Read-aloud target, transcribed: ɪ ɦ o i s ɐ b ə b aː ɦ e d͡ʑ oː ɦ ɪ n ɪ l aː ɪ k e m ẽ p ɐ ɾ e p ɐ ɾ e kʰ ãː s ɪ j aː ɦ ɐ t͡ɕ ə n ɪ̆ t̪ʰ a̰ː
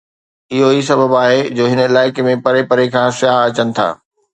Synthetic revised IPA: ɪ ɦ o i s ɐ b ə b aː ɦ e d͡ʑ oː ɦ ɪ n ɪ l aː ɪ k e m ẽ p ɐ ɾ e p ɐ ɾ e kʰ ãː s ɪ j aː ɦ ɐ t͡ɕ ə n ɪ̆ t̪ʰ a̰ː